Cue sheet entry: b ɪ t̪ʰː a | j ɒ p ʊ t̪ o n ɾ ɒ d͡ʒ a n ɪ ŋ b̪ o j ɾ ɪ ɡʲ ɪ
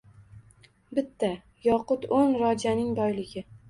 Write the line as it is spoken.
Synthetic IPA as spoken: b ɪ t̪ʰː a | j ɒ q ʊ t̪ o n ɾ ɒ d͡ʒ a n ɪ ŋ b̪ ɒ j l ɪ ɡʲ ɪ

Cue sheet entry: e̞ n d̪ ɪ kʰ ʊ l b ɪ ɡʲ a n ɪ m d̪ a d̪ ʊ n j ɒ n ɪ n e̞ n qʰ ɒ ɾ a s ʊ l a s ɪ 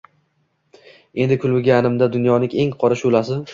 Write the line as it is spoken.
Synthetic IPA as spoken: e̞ n d̪ ɪ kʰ ʊ l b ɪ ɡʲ a n ɪ m d̪ a d̪ ʊ n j ɒ n ɪ ŋ e̞ ŋ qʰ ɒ ɾ a ʃ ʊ l a s ɪ

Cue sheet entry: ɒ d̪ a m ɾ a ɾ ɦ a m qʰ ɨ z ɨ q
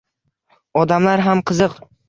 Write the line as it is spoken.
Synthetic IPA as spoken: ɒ d̪ a m l a ɾ ɦ a m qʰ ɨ z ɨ q

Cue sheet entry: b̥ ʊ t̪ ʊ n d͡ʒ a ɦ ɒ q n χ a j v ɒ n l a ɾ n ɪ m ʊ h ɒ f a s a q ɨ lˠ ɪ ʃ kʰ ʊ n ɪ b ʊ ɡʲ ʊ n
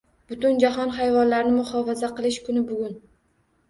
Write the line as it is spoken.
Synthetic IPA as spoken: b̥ ʊ t̪ ʊ n d͡ʒ a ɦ ɒ n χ a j v ɒ n l a ɾ n ɪ m ʊ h ɒ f a z a q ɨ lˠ ɪ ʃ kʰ ʊ n ɪ b ʊ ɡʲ ʊ n

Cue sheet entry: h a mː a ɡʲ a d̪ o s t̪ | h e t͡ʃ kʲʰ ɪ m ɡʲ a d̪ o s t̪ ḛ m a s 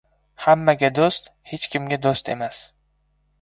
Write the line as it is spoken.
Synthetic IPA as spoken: h a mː a ɡʲ a d̪ o s t̪ | h e t͡ʃ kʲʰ ɪ m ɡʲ a d̪ o s t̪ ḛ m a s

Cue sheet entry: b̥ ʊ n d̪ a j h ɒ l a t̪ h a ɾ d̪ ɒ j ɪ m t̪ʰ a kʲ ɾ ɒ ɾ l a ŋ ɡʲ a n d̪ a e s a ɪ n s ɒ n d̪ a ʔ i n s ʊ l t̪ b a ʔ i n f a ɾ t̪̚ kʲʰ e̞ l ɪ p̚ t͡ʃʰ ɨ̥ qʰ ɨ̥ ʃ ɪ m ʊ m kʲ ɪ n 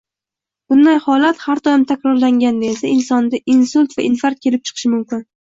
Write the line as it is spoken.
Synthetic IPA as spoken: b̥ ʊ n d̪ a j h ɒ l a t̪ h a ɾ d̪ ɒ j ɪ m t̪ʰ a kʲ ɾ ɒ ɾ l a ŋ ɡʲ a n d̪ a e s a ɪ n s ɒ n d̪ a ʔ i n s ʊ l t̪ v a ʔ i n f a ɾ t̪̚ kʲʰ e̞ l ɪ p̚ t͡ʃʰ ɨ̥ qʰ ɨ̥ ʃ ɪ m ʊ m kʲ ɪ n

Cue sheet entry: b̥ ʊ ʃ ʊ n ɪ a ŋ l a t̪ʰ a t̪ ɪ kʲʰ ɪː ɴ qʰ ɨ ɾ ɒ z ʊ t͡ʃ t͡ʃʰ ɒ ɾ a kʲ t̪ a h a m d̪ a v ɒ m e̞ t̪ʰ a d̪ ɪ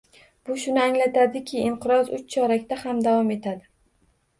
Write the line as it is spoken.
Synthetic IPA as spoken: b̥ ʊ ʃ ʊ n ɪ a ŋ l a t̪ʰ a d̪ ɪ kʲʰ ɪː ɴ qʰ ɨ ɾ ɒ z ʊ t͡ʃ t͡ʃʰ ɒ ɾ a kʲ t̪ a h a m d̪ a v ɒ m e̞ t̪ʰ a d̪ ɪ

